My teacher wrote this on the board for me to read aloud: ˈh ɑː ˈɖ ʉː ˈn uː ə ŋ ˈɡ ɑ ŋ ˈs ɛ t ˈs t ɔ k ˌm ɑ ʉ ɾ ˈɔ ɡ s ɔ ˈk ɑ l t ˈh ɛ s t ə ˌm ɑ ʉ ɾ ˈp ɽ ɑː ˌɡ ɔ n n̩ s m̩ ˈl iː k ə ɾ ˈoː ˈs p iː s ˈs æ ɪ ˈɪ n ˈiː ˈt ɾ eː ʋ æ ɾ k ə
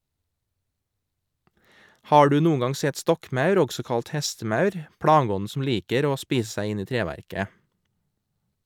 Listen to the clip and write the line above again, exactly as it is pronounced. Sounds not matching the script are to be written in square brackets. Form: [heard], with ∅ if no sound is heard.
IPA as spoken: ˈh ɑː ˈɖ ʉː ˈn uː ə ŋ ˈɡ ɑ ŋ ˈs ɛ t ˈs t ɔ k ˌm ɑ ʉ ɾ ˈɔ ɡ s ɔ ˈk ɑ l t ˈh ɛ s t ə ˌm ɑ ʉ ɾ ˈp ɽ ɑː ˌɡ ɔ n n̩ s m̩ ˈl iː k ə ɾ ˈoː ˈs p iː s ˈs æ ɪ ˈɪ n ˈiː ˈt ɾ eː ʋ æ ɾ k ə